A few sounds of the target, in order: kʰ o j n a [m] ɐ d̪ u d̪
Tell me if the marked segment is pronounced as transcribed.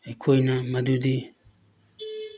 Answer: yes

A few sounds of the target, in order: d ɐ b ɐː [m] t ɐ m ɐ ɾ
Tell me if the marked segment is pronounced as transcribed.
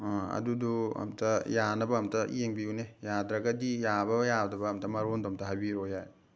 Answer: yes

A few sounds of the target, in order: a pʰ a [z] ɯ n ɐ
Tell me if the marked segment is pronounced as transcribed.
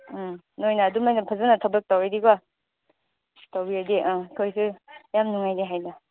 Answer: yes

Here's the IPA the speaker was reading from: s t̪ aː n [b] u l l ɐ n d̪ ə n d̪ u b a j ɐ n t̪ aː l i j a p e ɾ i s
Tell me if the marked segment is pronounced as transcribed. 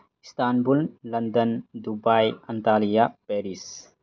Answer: yes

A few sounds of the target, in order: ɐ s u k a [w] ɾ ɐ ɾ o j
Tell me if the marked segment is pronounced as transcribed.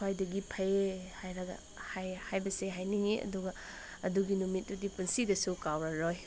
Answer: yes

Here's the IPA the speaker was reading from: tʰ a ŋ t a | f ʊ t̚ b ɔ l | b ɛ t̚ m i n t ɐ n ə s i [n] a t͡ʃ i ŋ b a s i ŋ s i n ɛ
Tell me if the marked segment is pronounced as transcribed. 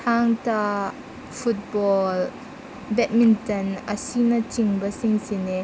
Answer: yes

